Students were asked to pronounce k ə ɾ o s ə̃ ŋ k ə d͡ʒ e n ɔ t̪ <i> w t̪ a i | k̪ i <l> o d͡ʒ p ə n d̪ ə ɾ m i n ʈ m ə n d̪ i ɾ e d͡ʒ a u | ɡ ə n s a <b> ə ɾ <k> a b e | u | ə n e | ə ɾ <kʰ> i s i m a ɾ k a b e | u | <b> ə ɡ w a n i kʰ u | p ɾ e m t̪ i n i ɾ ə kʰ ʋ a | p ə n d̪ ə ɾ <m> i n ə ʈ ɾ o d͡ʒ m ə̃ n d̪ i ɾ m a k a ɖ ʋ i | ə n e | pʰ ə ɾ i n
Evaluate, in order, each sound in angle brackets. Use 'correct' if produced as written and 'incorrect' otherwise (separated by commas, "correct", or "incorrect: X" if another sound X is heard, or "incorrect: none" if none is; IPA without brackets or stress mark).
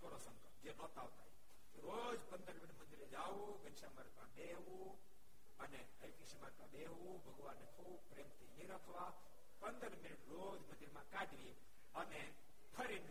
incorrect: a, incorrect: ɾ, incorrect: m, correct, incorrect: k, correct, correct